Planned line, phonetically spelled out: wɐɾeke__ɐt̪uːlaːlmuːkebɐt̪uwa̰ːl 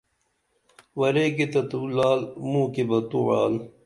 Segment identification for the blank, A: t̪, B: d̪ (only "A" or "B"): A